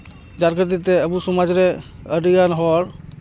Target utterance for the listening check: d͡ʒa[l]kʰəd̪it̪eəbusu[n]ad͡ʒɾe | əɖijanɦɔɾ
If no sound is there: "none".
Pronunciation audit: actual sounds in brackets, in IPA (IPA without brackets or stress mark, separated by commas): ɾ, m